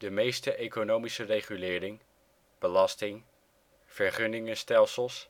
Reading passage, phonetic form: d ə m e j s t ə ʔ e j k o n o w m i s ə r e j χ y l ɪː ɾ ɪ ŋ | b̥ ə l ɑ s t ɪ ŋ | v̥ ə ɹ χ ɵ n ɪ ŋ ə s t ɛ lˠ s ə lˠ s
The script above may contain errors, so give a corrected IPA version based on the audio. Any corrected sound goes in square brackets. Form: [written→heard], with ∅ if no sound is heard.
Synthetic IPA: d ə m e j s t ə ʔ e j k o n o w m i s ə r e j χ y l ɪː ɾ ɪ ŋ | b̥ ə l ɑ s t ɪ ŋ | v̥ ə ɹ χ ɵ n ɪ ŋ ə s t ɛ lˠ s ə lˠ s